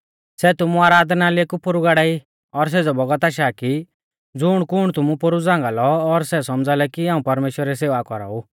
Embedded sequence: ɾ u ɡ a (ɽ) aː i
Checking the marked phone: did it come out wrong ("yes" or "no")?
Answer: no